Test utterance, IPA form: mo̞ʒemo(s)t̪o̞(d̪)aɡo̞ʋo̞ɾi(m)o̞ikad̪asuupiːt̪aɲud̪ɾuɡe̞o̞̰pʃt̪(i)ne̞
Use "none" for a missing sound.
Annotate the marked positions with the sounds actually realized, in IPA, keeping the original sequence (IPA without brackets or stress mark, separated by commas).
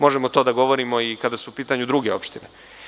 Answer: none, d̪, m, i